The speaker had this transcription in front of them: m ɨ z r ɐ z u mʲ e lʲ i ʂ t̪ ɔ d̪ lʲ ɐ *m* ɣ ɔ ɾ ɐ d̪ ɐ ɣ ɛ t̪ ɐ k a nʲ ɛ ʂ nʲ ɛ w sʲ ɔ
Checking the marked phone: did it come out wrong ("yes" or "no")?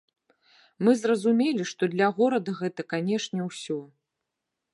yes